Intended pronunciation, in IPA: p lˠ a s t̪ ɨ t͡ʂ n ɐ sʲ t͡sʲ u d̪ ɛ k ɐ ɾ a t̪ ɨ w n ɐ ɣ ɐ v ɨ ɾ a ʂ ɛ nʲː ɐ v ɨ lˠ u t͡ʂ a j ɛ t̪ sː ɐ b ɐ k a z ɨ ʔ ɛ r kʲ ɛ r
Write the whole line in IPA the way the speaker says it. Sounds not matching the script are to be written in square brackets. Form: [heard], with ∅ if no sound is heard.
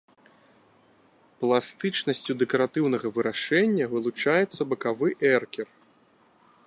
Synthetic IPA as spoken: p lˠ a s t̪ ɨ t͡ʂ n ɐ sʲ t͡sʲ u d̪ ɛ k ɐ ɾ a t̪ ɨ w n ɐ ɣ ɐ v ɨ ɾ a ʂ ɛ nʲː ɐ v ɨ lˠ u t͡ʂ a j ɛ t̪ sː ɐ b ɐ k a [v] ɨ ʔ ɛ r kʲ ɛ r

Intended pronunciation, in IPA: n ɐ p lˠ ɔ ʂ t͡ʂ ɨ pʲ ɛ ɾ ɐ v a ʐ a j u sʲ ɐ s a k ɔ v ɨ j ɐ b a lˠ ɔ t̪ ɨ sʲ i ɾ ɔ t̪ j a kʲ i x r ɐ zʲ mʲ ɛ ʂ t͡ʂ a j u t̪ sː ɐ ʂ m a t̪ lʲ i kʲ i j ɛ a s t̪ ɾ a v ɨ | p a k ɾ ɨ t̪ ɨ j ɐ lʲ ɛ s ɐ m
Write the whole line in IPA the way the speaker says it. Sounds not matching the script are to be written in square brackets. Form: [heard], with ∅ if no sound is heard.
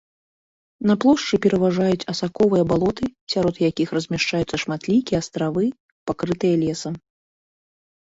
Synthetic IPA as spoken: n ɐ p lˠ ɔ ʂ t͡ʂ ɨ pʲ ɛ ɾ ɐ v a ʐ a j u [t͡sʲ] ɐ s a k ɔ v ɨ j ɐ b a lˠ ɔ t̪ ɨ sʲ [a] ɾ ɔ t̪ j a kʲ i x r ɐ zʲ mʲ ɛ ʂ t͡ʂ a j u t̪ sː ɐ ʂ m a t̪ lʲ i kʲ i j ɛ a s t̪ ɾ a v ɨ | p a k ɾ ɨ t̪ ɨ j ɐ lʲ ɛ s ɐ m

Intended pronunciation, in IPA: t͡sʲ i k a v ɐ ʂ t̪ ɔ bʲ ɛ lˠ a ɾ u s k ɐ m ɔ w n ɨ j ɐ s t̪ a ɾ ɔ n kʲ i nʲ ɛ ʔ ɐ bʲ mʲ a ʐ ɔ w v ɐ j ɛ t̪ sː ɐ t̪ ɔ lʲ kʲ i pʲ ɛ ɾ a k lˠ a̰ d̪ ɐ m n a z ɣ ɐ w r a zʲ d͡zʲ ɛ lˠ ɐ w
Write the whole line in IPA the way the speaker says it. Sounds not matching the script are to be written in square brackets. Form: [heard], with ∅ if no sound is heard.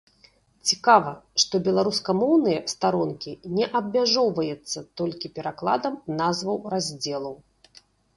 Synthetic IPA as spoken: t͡sʲ i k a v ɐ ʂ t̪ ɔ bʲ ɛ lˠ a ɾ u s k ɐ m ɔ w n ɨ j ɐ s t̪ a ɾ ɔ n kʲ i nʲ ɛ ʔ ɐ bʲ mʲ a ʐ ɔ w v ɐ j ɛ t̪ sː ɐ t̪ ɔ lʲ kʲ i pʲ ɛ ɾ a k lˠ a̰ d̪ ɐ m n a z [v] ɐ w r a zʲ d͡zʲ ɛ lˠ ɐ w

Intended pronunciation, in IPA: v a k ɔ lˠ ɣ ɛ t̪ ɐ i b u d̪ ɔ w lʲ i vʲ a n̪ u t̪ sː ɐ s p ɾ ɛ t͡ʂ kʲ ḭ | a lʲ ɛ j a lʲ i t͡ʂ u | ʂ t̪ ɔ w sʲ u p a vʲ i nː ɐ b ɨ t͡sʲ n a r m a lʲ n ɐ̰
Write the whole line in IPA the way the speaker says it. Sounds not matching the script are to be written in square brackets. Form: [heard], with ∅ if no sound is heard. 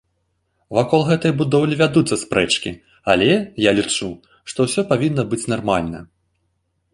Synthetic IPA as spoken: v a k ɔ lˠ ɣ ɛ t̪ ɐ [j] b u d̪ ɔ w lʲ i vʲ a [d̪] u t̪ sː ɐ s p ɾ ɛ t͡ʂ kʲ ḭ | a lʲ ɛ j a lʲ i t͡ʂ u | ʂ t̪ ɔ w sʲ [ɔ] p a vʲ i nː ɐ b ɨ t͡sʲ n a r m a lʲ n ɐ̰

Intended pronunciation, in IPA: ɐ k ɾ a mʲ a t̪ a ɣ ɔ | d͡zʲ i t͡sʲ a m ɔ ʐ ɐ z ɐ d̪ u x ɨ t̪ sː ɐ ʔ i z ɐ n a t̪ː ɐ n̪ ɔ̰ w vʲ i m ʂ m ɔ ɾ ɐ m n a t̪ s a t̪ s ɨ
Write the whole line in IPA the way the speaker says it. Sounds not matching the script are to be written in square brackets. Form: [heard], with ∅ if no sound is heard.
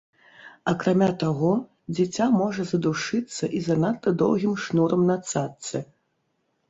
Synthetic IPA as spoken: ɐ k ɾ a mʲ a t̪ a ɣ ɔ | d͡zʲ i t͡sʲ a m ɔ ʐ ɐ z ɐ d̪ u [ʂ] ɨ t̪ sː ɐ ʔ i z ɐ n a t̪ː ɐ [d̪] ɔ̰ w [ɣʲ] i m ʂ [n] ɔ ɾ ɐ m n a t̪ s a t̪ s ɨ

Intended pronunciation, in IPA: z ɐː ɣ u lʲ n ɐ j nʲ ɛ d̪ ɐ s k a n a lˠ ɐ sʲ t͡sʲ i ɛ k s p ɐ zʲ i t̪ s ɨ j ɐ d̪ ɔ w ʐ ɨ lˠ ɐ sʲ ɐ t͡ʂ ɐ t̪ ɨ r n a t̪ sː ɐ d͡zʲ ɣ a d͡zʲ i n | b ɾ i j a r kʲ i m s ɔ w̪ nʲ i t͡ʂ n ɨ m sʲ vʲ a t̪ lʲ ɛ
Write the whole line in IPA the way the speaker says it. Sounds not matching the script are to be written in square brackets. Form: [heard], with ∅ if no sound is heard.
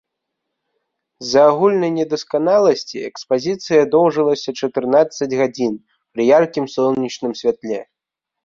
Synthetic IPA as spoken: z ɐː ɣ u lʲ n ɐ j nʲ ɛ d̪ ɐ s k a n a lˠ ɐ sʲ t͡sʲ i ɛ k s p [a] zʲ i t̪ s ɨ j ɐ d̪ ɔ w ʐ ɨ lˠ ɐ sʲ ɐ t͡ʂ ɐ t̪ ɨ r n a t̪ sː ɐ d͡zʲ ɣ a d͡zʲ i n | [p] ɾ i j a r kʲ i m s ɔ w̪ nʲ i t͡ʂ n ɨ m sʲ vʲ a t̪ lʲ ɛ

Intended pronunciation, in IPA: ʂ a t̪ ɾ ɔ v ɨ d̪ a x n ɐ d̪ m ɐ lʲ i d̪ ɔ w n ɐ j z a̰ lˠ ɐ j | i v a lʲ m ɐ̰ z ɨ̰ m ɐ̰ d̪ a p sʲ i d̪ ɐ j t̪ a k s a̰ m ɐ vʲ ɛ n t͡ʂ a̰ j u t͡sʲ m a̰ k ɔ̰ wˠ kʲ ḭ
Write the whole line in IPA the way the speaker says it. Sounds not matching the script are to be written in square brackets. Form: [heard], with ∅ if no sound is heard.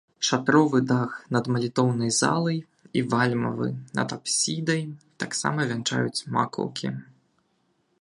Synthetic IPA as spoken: ʂ a t̪ ɾ ɔ v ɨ d̪ a x n ɐ d̪ m ɐ lʲ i [t̪] ɔ w n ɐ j z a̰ lˠ ɐ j | i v a lʲ m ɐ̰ [v] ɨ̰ [n] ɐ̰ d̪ a p sʲ i d̪ ɐ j t̪ a k s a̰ m ɐ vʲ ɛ n t͡ʂ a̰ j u t͡sʲ m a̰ k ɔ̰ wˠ kʲ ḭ

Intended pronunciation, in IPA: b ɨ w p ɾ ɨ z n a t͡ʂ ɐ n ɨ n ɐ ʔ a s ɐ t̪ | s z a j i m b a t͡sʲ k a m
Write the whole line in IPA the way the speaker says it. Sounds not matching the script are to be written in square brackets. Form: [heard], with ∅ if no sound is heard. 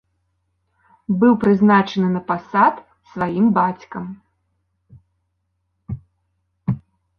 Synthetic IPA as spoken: b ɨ w p ɾ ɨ z n a t͡ʂ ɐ n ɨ n ɐ [p] a s [a] t̪ | s [v] a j i m b a t͡sʲ k [ɐ] m

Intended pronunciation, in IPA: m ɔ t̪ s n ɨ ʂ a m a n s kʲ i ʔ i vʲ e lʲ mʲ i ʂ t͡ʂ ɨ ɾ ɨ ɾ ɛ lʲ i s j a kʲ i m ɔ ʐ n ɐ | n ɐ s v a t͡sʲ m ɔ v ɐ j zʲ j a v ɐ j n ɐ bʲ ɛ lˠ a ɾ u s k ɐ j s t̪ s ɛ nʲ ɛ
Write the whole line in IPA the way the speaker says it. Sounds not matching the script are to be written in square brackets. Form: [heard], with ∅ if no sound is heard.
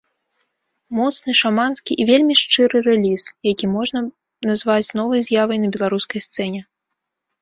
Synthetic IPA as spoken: m ɔ t̪ s n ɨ ʂ a m a n s kʲ i ʔ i vʲ e lʲ mʲ i ʂ t͡ʂ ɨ ɾ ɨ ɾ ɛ lʲ i s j a kʲ i m ɔ ʐ n ɐ | n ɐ [z] v a t͡sʲ [n] ɔ v ɐ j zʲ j a v ɐ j n ɐ bʲ ɛ lˠ a ɾ u s k ɐ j s t̪ s ɛ nʲ ɛ

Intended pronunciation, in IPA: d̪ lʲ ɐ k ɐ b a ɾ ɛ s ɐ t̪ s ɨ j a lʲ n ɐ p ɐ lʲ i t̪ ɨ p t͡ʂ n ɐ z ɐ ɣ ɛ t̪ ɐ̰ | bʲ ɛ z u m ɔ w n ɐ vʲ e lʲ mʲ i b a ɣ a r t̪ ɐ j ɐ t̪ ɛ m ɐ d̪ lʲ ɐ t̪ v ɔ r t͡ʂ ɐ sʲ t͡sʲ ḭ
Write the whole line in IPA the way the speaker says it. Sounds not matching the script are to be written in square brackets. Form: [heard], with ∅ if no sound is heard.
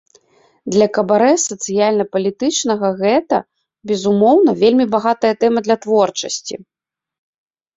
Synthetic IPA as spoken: d̪ lʲ ɐ k ɐ b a ɾ ɛ s ɐ t̪ s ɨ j a lʲ n ɐ p ɐ lʲ i t̪ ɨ [∅] t͡ʂ n ɐ [ɣ] ɐ ɣ ɛ t̪ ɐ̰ | bʲ ɛ z u m ɔ w n ɐ vʲ e lʲ mʲ i b a ɣ a [∅] t̪ ɐ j ɐ t̪ ɛ m ɐ d̪ lʲ ɐ t̪ v ɔ r t͡ʂ ɐ sʲ t͡sʲ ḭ

